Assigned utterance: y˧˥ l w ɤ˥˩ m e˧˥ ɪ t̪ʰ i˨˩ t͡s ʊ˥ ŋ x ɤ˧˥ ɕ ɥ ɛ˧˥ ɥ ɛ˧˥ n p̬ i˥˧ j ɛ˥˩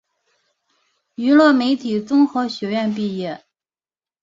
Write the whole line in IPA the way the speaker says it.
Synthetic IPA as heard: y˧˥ l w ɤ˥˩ m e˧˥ ɪ t̪ʰ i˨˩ t͡s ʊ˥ ŋ x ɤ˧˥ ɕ ɥ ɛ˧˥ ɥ ɛ˥˧ n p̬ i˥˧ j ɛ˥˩